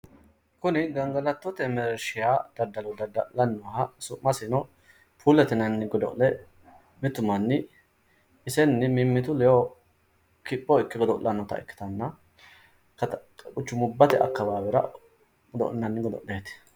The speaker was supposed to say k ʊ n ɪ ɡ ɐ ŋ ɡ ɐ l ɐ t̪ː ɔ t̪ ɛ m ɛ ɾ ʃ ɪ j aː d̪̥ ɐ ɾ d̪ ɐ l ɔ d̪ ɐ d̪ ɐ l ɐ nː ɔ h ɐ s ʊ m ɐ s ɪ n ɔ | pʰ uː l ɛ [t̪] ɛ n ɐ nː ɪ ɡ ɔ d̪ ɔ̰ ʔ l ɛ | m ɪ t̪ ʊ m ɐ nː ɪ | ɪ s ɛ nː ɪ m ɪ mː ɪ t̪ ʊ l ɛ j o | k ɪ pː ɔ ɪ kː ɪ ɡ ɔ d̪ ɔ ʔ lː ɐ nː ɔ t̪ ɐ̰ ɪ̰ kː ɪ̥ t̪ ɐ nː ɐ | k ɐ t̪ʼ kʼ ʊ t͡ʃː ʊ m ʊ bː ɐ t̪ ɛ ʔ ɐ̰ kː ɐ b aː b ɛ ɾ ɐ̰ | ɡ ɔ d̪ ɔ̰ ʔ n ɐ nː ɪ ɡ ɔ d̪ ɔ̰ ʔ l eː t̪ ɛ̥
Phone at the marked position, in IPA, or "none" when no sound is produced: t̪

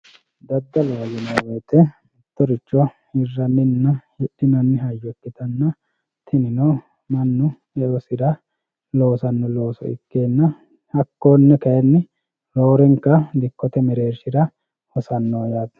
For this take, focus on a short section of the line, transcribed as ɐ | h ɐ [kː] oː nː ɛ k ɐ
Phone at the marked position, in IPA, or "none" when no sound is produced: kː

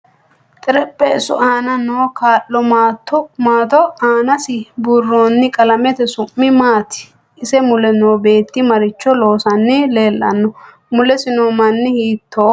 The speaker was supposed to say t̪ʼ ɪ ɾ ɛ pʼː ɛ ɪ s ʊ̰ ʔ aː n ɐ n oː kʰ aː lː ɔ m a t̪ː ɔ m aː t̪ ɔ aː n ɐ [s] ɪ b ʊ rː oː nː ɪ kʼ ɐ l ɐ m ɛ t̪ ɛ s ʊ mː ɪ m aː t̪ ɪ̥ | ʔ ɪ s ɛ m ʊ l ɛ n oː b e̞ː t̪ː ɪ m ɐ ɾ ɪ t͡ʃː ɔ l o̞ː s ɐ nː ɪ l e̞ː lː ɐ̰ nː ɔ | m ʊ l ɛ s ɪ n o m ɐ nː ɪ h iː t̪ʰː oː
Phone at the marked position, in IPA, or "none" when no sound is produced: s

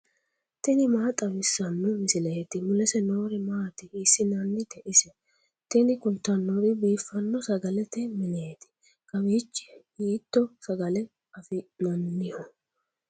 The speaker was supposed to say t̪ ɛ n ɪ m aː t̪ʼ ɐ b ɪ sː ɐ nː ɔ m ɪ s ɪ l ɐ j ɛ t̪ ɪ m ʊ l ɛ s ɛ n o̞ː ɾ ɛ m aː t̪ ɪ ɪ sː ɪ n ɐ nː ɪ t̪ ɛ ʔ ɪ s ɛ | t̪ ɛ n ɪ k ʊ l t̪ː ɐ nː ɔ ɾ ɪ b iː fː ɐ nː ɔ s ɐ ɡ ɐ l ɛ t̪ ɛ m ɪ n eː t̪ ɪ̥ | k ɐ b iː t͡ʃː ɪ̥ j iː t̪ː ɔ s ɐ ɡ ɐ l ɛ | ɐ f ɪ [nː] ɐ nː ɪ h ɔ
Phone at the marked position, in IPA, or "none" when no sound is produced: n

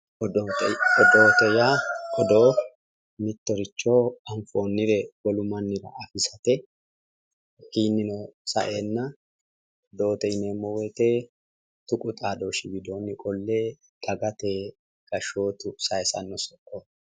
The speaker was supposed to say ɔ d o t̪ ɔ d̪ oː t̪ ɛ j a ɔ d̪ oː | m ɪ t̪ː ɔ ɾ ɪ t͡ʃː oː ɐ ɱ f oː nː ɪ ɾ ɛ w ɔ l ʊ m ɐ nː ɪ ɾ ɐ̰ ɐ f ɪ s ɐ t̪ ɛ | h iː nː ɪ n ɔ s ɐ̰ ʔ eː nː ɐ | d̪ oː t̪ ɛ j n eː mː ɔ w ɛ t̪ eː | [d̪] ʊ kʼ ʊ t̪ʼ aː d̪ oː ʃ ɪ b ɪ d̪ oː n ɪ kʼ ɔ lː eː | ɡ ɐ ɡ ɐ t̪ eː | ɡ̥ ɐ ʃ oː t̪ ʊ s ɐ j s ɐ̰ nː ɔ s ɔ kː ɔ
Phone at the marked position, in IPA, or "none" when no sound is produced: t̪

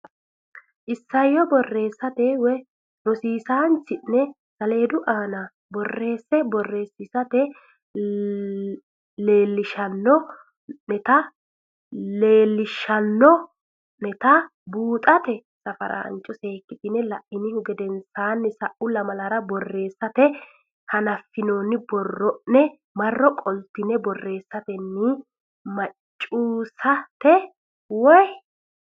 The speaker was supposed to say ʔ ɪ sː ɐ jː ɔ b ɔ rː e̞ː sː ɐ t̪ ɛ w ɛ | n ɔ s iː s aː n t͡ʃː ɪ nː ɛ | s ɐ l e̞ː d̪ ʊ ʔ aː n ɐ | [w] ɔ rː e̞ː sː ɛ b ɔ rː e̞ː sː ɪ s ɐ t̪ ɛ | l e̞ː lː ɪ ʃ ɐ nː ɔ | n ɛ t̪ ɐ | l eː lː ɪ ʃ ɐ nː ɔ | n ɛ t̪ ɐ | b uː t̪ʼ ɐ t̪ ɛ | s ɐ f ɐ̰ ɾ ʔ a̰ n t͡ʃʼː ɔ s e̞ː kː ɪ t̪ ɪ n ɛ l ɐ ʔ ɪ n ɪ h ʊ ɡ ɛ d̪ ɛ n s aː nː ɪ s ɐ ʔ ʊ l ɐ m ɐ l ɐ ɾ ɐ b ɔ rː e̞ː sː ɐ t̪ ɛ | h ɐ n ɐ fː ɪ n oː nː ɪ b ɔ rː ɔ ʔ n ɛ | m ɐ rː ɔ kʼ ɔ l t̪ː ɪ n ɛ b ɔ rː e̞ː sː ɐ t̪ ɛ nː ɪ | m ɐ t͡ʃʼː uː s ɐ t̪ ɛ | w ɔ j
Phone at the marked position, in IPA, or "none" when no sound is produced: b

